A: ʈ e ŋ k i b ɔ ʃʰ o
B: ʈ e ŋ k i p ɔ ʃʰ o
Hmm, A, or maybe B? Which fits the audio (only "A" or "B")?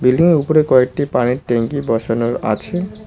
A